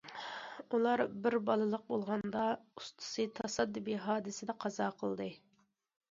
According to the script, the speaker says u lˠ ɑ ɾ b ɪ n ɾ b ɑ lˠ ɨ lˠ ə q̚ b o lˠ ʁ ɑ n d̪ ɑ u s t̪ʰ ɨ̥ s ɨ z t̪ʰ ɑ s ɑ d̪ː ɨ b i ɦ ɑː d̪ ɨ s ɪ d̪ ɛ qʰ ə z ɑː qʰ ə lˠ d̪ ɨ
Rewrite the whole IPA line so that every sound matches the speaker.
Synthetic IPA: u lˠ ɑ ɾ b ɪ ɾ b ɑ lˠ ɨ lˠ ə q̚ b o lˠ ʁ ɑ n d̪ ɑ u s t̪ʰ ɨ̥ s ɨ t̪ʰ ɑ s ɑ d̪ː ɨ b i ɦ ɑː d̪ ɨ s ɪ d̪ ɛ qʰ ɑ z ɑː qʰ ə lˠ d̪ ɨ